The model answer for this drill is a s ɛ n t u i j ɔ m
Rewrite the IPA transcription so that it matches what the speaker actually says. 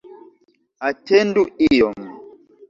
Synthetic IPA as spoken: a t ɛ n d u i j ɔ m